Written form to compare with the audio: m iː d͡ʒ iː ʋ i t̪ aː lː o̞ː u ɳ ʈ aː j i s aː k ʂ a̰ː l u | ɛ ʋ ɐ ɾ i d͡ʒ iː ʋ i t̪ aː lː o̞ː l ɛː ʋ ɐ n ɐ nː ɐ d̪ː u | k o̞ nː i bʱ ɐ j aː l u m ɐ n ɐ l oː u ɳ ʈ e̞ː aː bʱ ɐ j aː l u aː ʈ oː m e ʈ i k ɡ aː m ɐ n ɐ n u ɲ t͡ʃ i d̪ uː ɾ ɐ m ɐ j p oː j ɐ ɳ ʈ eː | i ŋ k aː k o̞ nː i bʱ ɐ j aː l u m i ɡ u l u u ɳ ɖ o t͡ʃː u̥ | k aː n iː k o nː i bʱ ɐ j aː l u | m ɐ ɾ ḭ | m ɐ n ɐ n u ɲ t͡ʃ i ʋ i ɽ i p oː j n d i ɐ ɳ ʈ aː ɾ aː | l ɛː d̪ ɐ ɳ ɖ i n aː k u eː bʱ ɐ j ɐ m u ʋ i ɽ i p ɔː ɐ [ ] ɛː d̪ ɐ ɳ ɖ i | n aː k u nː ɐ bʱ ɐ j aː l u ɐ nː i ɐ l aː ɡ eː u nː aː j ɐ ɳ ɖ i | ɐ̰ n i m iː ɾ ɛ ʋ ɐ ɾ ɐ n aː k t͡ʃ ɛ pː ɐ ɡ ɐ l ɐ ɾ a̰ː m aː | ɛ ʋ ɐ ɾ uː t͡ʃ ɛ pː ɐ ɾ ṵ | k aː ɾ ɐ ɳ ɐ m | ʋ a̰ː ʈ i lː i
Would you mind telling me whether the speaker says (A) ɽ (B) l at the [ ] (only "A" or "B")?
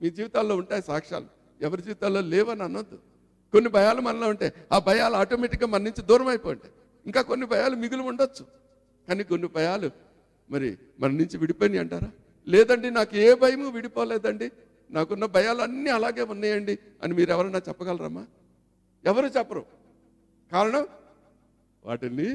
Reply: B